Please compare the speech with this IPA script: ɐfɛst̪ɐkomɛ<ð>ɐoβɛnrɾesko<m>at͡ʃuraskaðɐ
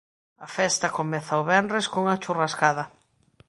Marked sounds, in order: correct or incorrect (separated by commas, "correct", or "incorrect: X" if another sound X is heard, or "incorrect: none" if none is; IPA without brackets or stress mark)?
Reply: incorrect: θ, incorrect: ŋ